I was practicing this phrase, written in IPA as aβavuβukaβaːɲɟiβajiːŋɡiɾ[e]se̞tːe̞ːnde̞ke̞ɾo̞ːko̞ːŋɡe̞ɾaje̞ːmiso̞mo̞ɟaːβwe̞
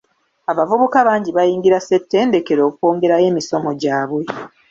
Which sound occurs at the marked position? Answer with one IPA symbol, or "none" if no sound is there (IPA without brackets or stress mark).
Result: a